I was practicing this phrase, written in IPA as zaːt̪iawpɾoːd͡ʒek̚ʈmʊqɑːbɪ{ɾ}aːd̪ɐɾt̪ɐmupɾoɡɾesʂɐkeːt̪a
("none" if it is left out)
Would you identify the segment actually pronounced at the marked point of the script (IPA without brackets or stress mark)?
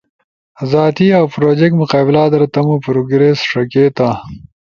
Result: l